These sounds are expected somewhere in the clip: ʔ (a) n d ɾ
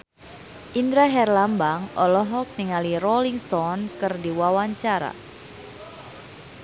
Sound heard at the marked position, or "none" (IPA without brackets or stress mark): i